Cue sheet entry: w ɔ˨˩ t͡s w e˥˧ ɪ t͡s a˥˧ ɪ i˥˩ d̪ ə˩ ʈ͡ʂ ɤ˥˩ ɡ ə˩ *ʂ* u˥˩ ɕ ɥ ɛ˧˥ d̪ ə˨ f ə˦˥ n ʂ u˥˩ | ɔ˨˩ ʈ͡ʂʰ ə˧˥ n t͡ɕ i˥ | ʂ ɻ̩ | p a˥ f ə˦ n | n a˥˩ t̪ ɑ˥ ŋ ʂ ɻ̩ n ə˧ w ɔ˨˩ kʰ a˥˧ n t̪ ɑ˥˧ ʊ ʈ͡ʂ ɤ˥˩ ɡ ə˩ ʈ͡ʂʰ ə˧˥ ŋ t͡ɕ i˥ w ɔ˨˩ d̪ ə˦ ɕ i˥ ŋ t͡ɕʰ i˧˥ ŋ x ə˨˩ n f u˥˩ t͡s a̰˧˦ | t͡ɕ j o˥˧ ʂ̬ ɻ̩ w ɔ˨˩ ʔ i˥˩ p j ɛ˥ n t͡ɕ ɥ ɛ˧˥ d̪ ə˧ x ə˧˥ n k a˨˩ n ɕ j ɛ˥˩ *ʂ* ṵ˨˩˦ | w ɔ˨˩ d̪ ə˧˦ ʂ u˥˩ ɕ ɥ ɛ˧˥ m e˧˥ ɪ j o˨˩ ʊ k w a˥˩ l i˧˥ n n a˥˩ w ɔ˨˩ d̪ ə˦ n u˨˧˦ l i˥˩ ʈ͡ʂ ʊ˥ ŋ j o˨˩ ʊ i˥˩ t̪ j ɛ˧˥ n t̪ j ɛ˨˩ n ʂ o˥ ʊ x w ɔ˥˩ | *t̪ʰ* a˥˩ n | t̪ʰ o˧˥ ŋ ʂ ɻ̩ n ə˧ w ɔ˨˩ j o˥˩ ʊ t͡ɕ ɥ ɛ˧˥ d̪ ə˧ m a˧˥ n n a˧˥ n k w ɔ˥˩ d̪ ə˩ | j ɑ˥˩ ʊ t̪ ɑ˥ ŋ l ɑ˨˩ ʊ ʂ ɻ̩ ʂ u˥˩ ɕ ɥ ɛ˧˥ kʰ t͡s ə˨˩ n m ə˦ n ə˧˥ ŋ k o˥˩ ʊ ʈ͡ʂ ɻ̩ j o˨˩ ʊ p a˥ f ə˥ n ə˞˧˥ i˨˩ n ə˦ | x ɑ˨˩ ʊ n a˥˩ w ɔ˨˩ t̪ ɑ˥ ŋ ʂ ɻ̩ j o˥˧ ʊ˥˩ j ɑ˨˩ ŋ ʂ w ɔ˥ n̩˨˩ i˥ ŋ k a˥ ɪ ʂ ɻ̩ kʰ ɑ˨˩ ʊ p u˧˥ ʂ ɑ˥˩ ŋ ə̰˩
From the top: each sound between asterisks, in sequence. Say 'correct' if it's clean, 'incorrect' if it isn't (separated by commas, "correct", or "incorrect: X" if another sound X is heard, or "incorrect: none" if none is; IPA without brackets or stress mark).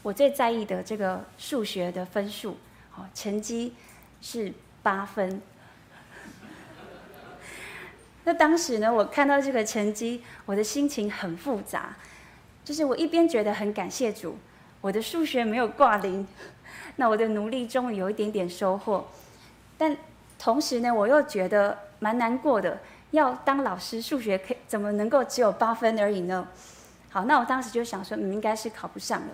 correct, incorrect: ʈ͡ʂ, incorrect: t̪